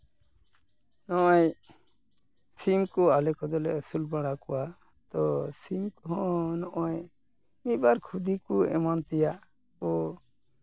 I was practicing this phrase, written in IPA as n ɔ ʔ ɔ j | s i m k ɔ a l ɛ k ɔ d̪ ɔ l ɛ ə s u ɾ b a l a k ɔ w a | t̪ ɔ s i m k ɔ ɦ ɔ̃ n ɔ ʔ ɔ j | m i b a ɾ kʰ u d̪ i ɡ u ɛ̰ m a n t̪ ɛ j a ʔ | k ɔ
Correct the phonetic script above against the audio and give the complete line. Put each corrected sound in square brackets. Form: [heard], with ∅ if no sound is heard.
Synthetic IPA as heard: n ɔ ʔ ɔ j | s i m k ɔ a l ɛ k ɔ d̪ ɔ l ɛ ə s u [l] b a [ɽ] a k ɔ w a | t̪ ɔ s i m k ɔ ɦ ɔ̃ n ɔ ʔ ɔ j | m i b a ɾ kʰ u d̪ i [k] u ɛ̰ m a n t̪ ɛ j a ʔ | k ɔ

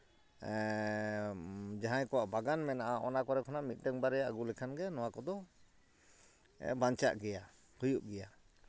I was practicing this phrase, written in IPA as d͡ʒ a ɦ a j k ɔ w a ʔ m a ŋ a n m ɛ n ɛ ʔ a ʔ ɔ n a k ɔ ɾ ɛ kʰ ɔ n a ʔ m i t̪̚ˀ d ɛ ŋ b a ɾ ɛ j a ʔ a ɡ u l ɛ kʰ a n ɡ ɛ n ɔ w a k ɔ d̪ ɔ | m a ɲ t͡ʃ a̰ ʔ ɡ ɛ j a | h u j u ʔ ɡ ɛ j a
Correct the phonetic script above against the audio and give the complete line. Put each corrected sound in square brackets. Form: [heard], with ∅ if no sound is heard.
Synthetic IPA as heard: d͡ʒ a ɦ a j k ɔ w a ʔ [b] a [ɡ] a n m ɛ n [a] ʔ a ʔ ɔ n a k ɔ ɾ ɛ kʰ ɔ n a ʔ m i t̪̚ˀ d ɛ ŋ b a ɾ ɛ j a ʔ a ɡ u l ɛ kʰ a n ɡ ɛ n ɔ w a k ɔ d̪ ɔ | [b] a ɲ t͡ʃ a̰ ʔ ɡ ɛ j a | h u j u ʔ ɡ ɛ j a

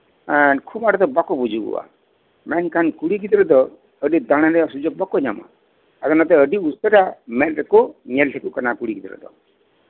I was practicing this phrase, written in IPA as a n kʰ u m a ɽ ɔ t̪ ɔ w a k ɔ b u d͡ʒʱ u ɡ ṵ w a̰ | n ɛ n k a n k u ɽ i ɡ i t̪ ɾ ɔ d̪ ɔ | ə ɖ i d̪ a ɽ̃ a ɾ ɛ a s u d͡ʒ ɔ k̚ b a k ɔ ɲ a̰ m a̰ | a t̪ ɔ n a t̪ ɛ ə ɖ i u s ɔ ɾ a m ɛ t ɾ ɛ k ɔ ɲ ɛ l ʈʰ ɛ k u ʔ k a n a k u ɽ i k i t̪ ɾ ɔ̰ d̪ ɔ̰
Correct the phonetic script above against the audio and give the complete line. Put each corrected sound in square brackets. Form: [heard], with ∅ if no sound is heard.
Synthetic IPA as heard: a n kʰ u m a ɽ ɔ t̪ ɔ [b] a k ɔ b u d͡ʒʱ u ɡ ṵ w a̰ | [m] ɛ n k a n k u ɽ i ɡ i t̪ ɾ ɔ d̪ ɔ | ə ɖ i d̪ a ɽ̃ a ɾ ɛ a s u d͡ʒ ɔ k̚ b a k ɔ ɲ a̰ m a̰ | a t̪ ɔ n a t̪ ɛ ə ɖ i u s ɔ ɾ a m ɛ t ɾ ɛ k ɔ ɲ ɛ l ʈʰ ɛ k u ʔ k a n a k u ɽ i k i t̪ ɾ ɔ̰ d̪ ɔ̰

